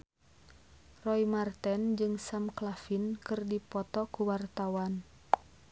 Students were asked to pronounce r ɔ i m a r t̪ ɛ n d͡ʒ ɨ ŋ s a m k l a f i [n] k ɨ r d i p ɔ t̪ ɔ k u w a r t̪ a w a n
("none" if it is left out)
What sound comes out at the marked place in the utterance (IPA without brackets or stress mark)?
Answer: n